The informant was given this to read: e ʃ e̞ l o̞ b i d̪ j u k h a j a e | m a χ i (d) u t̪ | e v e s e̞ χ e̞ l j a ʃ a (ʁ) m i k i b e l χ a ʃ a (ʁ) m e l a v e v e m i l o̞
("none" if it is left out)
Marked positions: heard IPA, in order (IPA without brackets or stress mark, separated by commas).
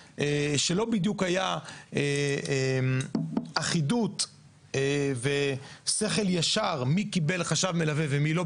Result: d, ʁ, v